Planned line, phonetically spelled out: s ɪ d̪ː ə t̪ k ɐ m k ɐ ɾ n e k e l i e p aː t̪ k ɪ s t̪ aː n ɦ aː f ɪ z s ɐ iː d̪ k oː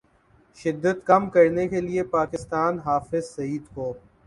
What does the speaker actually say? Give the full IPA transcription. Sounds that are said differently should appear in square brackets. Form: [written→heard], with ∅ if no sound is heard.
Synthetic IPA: [s→ʃ] ɪ d̪ː ə t̪ k ɐ m k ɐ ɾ n e k e l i e p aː [t̪→∅] k ɪ s t̪ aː n ɦ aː f ɪ z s ɐ iː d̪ k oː

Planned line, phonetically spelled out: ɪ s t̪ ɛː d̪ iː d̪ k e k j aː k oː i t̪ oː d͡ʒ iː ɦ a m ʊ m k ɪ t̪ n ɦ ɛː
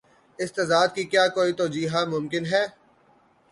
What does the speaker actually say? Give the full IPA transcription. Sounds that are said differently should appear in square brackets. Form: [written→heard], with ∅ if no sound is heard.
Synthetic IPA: ɪ s t̪ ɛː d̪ [iː→aː] d̪ k [e→i] k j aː k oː i t̪ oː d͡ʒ iː ɦ a m ʊ m k ɪ [t̪→∅] n ɦ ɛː

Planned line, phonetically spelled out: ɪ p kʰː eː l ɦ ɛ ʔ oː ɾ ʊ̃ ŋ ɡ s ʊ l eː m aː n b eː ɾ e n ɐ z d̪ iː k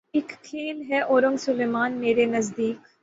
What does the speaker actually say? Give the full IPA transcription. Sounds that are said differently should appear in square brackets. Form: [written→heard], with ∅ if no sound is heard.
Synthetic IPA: ɪ [p→k] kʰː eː l ɦ ɛ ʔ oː ɾ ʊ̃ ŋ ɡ s ʊ l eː m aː n [b→m] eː ɾ e n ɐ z d̪ iː k

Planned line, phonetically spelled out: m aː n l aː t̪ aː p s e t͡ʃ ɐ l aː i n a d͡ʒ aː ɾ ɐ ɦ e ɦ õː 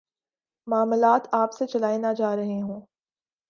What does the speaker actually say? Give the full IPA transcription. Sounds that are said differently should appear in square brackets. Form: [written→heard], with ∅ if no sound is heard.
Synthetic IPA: m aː [n→m] l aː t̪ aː p s e t͡ʃ ɐ l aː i n a d͡ʒ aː ɾ ɐ ɦ e ɦ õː

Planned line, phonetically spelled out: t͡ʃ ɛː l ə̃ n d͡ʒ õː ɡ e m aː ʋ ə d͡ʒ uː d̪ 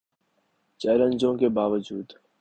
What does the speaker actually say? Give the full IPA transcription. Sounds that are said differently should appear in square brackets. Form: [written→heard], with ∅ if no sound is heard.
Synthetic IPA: t͡ʃ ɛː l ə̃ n d͡ʒ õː [ɡ→k] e [m→b] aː ʋ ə d͡ʒ uː d̪

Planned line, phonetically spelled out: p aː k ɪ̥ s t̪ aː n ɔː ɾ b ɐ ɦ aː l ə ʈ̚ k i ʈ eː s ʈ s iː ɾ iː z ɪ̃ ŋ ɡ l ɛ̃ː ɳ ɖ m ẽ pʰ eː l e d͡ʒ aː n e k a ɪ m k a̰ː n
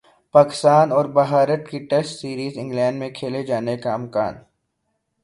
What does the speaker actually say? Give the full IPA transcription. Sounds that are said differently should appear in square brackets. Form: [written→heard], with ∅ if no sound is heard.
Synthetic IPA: p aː k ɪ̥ s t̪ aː n ɔː ɾ b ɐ ɦ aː [l→ɾ] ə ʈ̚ k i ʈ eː s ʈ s iː ɾ iː z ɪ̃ ŋ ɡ l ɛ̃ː ɳ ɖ m ẽ [pʰ→kʰ] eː l e d͡ʒ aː n e k a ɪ m k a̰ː n

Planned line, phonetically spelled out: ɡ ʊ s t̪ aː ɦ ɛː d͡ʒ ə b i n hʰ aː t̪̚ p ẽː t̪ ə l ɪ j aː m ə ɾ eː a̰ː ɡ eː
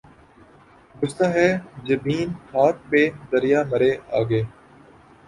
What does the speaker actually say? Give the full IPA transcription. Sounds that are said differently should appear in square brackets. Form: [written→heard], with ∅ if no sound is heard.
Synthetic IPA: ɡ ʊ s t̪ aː ɦ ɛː d͡ʒ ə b [i→iː] n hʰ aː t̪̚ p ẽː [t̪→d̪] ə [l→ɾ] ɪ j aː m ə ɾ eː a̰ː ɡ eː

